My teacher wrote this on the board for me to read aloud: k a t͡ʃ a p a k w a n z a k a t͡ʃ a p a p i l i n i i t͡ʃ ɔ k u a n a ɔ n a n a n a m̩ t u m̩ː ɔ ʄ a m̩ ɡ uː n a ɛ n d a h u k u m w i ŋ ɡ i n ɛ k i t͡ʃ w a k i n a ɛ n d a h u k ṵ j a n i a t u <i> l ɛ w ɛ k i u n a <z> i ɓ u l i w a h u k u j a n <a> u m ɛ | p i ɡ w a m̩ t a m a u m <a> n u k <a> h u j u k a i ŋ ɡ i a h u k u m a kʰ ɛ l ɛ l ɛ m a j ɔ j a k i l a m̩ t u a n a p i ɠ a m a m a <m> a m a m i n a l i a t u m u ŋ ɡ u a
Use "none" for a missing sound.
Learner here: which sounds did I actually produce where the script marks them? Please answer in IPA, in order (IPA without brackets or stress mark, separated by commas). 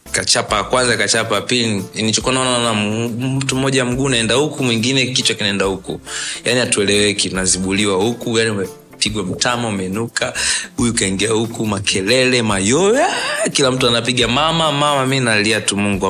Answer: ɛ, z, i, ɛ, a, m